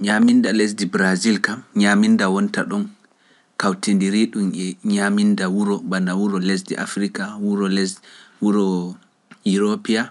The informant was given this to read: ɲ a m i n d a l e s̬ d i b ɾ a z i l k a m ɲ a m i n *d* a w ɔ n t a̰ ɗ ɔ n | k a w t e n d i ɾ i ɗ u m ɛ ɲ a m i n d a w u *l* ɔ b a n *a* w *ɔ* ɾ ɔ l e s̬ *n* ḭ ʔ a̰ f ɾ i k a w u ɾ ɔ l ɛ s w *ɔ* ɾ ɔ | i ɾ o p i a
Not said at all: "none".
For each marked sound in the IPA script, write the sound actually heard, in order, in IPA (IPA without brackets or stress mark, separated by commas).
d, ɾ, a, u, d, u